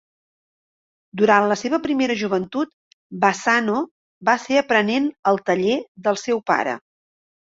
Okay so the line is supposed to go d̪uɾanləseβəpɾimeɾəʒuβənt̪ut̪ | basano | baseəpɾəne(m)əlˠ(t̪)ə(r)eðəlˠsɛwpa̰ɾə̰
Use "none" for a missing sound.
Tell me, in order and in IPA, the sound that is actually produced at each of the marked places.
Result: n, t̪, ʎ

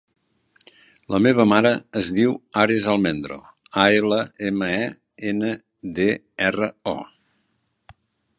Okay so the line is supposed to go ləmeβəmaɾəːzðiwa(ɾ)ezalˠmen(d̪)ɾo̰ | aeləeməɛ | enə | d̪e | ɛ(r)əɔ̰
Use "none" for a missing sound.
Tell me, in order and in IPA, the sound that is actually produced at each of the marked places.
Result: ɾ, d̪, r

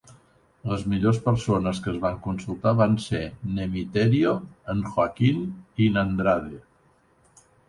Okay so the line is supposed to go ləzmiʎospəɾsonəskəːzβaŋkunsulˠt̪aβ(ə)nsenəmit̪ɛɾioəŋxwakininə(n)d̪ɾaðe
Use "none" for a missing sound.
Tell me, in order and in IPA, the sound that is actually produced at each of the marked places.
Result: a, n

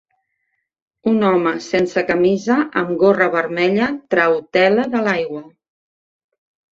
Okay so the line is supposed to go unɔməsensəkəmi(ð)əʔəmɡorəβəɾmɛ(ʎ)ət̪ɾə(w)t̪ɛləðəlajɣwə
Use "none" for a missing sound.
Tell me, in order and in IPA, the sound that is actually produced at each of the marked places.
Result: z, ʎ, w

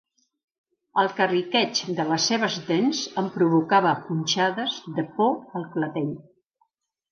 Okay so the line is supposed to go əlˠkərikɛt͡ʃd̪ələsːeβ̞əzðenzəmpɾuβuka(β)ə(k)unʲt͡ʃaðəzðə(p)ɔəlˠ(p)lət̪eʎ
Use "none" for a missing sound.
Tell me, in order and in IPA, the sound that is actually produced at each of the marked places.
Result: β, p, p, k

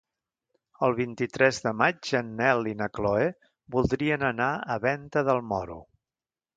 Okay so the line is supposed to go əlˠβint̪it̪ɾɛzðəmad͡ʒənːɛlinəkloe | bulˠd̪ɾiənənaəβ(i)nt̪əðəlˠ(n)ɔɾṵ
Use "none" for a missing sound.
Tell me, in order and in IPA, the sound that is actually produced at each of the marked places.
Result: ɛ, m

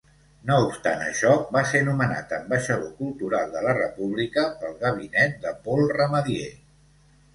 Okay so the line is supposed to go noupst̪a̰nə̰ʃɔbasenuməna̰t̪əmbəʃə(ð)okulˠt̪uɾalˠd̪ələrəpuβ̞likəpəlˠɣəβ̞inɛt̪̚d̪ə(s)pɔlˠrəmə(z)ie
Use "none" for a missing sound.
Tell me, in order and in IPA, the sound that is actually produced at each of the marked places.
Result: ð, none, ð

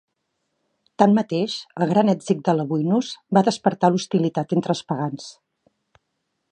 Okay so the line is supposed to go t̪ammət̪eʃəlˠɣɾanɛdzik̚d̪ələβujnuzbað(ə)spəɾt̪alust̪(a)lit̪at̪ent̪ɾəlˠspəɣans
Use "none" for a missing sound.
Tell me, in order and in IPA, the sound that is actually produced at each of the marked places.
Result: ə, i

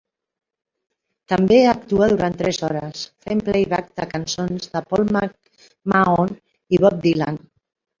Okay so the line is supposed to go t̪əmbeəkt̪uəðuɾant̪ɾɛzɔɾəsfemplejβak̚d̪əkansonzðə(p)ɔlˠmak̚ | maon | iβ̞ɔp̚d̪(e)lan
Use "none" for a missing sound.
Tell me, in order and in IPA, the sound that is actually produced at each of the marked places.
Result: p, i

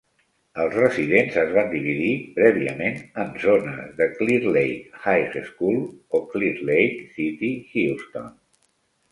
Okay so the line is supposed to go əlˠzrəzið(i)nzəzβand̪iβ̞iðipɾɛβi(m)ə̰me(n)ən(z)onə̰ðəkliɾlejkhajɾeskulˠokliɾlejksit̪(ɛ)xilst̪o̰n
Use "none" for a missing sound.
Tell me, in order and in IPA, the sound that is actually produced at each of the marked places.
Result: e, none, n, z, i

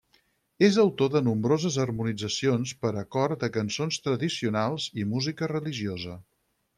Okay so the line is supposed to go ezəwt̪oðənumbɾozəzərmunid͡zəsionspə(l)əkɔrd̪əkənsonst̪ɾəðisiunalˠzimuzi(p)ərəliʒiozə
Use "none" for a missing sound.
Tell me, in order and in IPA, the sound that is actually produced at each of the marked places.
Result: ɾ, k

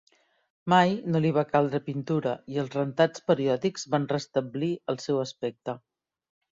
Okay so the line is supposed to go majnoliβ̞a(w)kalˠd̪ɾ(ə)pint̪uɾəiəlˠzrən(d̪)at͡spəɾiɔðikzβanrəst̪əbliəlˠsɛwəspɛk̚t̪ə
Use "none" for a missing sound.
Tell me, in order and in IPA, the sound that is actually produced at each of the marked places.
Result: none, ə, t̪

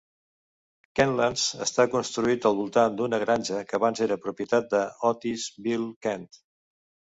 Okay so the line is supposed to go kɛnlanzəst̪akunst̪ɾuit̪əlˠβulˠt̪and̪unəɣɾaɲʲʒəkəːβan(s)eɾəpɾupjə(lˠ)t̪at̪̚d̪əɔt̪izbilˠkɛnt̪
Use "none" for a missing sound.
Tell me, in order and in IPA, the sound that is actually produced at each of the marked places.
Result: z, none

